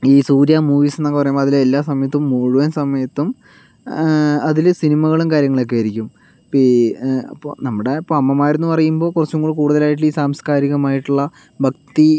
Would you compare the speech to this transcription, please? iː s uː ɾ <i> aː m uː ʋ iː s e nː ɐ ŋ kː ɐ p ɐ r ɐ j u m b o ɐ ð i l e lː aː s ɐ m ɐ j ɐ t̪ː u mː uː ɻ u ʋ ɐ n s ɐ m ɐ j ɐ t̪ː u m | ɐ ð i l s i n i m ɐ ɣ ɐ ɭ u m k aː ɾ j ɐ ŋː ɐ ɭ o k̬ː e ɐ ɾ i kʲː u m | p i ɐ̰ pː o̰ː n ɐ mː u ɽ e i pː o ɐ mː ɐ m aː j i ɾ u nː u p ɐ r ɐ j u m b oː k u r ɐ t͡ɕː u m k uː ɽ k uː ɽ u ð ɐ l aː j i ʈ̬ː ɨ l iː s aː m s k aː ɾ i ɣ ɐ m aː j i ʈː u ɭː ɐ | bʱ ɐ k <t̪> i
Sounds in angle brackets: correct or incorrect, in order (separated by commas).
incorrect, correct